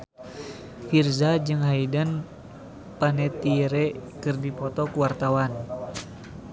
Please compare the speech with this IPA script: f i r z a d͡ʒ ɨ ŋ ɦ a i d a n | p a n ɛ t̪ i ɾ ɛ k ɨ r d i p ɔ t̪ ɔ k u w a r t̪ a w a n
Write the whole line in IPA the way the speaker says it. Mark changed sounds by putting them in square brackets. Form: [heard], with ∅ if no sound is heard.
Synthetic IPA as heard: f i r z a d͡ʒ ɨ ŋ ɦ a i d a n | p a n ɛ t̪ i ɾ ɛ k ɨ r d i p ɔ t̪ ɔ k u w a r t̪ a w a n